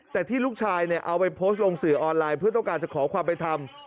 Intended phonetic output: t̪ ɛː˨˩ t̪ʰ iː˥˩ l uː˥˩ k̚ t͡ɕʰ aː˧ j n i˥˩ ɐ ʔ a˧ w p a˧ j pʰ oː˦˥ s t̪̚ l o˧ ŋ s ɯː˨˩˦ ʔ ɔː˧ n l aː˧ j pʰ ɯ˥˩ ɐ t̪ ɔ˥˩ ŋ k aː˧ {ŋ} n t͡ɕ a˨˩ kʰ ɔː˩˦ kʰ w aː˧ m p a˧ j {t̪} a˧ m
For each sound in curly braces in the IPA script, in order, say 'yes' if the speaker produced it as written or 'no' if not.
no, no

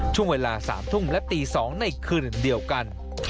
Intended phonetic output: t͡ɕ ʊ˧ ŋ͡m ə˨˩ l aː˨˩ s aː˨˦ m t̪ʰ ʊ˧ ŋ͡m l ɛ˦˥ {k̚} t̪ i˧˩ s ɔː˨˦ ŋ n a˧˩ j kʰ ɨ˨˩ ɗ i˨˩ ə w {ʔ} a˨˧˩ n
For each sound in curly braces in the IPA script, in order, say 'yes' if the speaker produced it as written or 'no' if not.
no, no

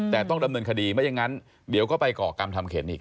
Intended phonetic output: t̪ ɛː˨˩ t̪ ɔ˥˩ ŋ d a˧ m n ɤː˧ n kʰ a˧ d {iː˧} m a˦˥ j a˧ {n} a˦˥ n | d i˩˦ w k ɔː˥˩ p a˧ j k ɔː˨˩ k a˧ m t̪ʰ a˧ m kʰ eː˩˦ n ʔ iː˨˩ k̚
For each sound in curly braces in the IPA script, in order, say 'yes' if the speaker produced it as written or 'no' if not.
yes, no

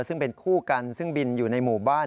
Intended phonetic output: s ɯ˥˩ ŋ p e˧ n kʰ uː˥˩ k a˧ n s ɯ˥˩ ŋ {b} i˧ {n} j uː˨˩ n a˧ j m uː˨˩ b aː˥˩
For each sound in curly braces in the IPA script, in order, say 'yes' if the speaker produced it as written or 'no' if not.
yes, yes

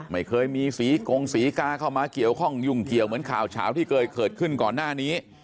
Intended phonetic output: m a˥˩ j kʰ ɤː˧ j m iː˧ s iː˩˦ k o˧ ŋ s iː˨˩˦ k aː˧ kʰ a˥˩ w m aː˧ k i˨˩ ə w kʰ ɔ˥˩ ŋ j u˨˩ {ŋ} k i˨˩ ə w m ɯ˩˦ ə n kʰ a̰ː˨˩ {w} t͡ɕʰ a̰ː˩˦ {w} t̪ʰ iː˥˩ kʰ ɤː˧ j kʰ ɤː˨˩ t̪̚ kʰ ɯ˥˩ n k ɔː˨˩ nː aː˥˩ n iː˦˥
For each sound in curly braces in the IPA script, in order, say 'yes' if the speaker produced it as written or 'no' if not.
yes, yes, yes

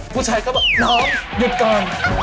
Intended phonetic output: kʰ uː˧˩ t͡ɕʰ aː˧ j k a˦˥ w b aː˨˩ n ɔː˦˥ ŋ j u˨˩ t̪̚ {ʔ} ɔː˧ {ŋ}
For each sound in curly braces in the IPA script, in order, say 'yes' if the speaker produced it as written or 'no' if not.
no, no

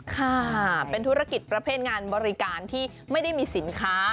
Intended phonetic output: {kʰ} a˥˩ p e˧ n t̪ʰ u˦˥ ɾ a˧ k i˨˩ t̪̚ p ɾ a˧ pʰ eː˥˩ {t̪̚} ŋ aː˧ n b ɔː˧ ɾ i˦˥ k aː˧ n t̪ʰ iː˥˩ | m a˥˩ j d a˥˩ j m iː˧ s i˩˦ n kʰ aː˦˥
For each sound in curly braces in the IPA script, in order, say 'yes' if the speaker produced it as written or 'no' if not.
yes, yes

